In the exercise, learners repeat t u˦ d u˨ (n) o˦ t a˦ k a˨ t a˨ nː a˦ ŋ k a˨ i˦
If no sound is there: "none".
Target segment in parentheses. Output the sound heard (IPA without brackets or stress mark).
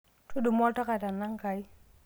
m